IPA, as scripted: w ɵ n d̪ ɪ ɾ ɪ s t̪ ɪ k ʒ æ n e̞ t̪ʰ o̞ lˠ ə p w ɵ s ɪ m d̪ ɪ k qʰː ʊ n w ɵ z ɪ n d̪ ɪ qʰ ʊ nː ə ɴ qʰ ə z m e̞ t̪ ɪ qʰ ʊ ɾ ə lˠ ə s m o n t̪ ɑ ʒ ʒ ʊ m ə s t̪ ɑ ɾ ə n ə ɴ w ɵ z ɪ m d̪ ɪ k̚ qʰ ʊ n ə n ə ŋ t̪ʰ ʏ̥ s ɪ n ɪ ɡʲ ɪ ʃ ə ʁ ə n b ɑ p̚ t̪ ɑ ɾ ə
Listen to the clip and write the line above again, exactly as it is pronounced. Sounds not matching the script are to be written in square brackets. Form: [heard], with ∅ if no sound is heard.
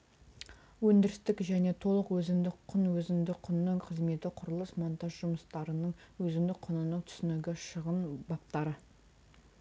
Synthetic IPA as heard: w ɵ n d̪ ɪ ɾ ɪ s t̪ ɪ k ʒ æ n e̞ t̪ʰ o̞ lˠ ə [q] w ɵ [z] ɪ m d̪ ɪ k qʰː ʊ n w ɵ z ɪ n d̪ ɪ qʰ ʊ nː ə ɴ qʰ ə z m e̞ t̪ ɪ qʰ ʊ ɾ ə lˠ ə s m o n t̪ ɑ ʒ ʒ ʊ m ə s t̪ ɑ ɾ ə n ə ɴ w ɵ z ɪ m d̪ ɪ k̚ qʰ ʊ n ə n ə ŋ t̪ʰ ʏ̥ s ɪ n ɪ ɡʲ ɪ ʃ ə ʁ ə n b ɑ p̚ t̪ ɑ ɾ ə